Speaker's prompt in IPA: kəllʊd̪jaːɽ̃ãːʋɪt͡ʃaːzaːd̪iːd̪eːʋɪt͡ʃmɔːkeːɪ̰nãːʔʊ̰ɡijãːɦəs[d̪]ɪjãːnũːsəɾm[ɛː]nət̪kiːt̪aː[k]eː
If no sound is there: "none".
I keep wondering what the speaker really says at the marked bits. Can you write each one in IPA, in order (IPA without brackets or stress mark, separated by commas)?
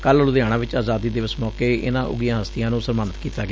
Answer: t̪, aː, ɡ